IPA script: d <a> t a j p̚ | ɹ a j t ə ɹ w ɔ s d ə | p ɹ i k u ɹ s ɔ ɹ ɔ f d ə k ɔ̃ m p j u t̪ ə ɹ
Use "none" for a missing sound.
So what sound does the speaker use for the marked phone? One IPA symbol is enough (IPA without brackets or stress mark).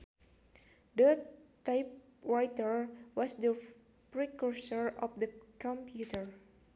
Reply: ə